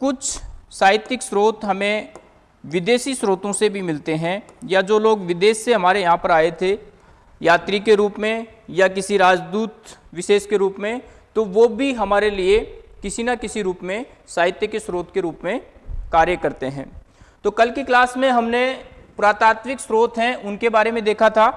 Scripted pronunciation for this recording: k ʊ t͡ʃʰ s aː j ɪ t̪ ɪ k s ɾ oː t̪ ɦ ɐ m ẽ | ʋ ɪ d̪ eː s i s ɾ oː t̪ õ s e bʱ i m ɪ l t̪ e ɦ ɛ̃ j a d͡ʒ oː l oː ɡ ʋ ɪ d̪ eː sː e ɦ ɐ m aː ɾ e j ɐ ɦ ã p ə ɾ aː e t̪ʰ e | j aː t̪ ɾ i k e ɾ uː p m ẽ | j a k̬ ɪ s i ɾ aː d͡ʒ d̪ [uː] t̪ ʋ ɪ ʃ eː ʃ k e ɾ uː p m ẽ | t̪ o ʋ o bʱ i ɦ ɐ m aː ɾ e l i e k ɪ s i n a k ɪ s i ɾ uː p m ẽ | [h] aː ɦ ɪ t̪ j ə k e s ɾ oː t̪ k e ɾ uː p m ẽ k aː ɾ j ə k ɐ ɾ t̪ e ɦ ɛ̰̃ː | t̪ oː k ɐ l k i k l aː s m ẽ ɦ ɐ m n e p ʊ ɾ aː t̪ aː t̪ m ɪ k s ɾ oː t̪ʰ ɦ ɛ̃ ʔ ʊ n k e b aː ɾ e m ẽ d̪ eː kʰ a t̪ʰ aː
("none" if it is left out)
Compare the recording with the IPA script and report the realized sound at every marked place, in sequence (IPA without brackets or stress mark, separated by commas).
uː, s